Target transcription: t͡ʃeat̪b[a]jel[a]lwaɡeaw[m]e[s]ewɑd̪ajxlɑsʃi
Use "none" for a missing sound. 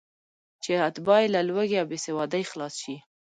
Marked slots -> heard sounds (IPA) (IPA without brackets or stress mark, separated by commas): ɑ, a, b, s